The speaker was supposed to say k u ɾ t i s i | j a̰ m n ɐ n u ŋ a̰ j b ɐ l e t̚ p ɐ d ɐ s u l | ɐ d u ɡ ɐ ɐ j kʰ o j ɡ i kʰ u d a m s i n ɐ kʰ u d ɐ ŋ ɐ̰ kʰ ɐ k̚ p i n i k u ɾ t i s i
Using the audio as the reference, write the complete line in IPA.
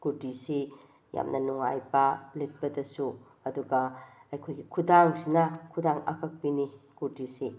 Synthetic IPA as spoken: k u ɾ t i s i | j a̰ m n ɐ n u ŋ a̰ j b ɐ l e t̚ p ɐ d ɐ s u | ɐ d u ɡ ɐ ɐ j kʰ o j ɡ i kʰ u d a ŋ s i n ɐ kʰ u d a ŋ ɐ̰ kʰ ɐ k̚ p i n i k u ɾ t i s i